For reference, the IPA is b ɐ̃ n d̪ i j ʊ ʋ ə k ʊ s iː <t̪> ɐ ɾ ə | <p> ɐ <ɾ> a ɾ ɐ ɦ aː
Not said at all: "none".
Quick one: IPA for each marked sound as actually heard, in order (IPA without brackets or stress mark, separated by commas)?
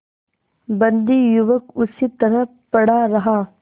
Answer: t̪, p, ɽ